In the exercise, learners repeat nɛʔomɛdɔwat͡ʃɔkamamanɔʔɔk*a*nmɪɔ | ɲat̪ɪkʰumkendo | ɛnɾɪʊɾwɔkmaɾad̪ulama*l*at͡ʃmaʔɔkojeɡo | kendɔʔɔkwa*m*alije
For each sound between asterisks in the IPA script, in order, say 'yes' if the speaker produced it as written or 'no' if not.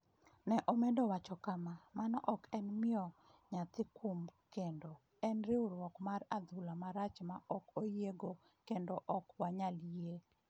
no, no, no

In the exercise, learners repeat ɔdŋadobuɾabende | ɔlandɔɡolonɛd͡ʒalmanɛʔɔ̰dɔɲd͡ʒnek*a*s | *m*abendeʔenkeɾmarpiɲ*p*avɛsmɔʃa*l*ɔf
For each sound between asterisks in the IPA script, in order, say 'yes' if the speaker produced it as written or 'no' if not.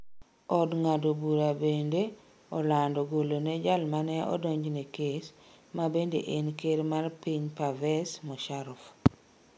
no, yes, yes, no

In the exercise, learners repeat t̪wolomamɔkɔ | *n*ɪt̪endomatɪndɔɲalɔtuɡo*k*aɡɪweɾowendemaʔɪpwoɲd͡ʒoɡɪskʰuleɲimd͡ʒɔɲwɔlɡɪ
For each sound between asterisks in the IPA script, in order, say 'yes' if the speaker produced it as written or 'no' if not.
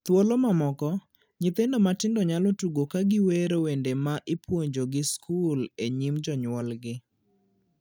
no, yes

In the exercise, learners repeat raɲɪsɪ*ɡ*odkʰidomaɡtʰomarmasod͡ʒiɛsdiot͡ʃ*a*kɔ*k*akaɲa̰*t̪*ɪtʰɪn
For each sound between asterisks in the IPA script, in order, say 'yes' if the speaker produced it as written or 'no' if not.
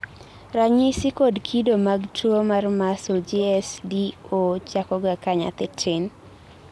no, yes, no, yes

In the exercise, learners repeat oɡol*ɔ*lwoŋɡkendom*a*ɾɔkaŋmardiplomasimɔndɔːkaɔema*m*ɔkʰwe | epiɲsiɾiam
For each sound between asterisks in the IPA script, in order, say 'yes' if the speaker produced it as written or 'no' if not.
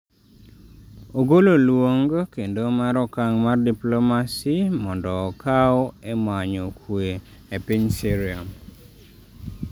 no, yes, no

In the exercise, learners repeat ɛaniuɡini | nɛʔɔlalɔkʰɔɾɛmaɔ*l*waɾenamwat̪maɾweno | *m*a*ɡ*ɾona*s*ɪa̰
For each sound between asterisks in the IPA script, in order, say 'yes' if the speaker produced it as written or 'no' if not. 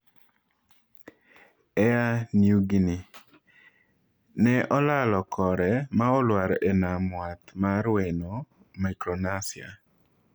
yes, yes, no, yes

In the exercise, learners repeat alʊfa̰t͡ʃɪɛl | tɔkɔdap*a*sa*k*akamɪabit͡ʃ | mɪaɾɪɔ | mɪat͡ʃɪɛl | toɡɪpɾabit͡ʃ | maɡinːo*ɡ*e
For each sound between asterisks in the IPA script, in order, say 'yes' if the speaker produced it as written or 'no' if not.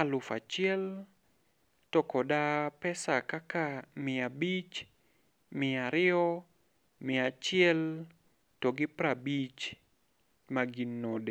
no, yes, no

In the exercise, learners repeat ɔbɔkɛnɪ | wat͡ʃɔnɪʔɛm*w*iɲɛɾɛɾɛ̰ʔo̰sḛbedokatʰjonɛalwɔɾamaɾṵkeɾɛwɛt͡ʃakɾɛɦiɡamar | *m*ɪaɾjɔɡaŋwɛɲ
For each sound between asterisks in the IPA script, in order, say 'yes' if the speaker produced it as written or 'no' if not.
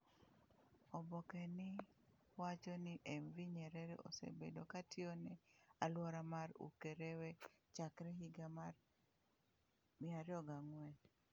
no, yes

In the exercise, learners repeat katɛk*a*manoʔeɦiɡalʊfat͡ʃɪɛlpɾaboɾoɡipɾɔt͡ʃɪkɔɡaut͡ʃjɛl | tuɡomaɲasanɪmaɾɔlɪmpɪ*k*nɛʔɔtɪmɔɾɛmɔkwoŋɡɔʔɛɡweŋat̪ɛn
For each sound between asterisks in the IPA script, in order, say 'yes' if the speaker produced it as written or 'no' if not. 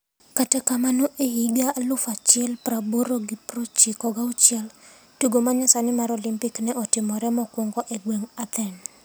yes, yes

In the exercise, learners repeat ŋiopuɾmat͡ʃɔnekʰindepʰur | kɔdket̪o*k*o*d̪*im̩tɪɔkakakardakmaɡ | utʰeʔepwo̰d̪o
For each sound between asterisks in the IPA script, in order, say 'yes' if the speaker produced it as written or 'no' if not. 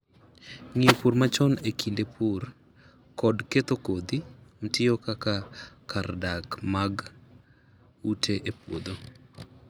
yes, yes

